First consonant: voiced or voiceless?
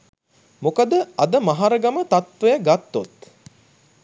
voiced